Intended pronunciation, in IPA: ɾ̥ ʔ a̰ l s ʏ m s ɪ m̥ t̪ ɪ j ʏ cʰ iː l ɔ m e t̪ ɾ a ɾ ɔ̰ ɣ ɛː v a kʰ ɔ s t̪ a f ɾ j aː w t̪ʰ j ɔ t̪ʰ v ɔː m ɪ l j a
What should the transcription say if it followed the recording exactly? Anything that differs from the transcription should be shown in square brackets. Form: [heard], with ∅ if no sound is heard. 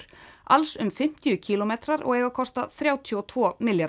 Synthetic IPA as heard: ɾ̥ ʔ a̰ l s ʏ m [f] ɪ m̥ t̪ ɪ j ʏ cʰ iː l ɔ m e t̪ ɾ a ɾ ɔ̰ ɣ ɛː [ɣ] a kʰ ɔ s t̪ a [θ] ɾ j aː w t̪ʰ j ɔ t̪ʰ v ɔː m ɪ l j a